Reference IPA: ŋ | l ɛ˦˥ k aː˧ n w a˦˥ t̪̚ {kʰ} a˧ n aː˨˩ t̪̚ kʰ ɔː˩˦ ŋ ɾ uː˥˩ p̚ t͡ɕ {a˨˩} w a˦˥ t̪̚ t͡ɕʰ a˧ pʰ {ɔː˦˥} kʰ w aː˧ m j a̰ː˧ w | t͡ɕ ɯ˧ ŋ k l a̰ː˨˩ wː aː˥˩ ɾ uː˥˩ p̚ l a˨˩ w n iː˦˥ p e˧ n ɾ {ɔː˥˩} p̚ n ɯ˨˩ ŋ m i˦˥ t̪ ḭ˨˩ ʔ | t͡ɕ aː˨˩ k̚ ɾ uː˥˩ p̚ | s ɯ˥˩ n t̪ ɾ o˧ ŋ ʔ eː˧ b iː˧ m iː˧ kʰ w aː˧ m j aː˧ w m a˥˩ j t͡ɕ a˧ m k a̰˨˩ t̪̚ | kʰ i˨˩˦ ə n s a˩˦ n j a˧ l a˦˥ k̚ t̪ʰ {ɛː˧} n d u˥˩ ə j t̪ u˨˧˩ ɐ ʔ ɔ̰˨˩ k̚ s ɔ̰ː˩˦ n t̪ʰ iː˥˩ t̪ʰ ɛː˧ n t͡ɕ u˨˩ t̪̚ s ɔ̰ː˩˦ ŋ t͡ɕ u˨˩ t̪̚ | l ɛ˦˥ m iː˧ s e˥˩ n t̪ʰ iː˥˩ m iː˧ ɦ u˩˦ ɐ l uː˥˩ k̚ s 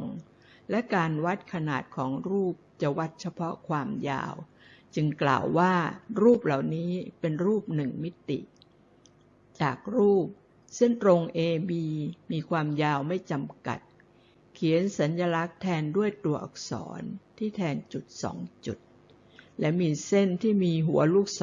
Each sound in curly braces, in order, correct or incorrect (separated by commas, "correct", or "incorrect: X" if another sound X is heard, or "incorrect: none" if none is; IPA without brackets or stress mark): correct, correct, incorrect: ɔ˦˥, incorrect: uː˥˩, correct